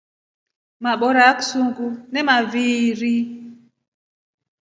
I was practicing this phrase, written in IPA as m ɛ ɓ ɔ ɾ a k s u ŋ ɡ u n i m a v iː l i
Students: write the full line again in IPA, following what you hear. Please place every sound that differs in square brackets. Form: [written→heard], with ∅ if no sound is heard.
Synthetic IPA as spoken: m [ɛ→a] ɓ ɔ ɾ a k s u ŋ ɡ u n [i→ɛ] m a v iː [l→ɾ] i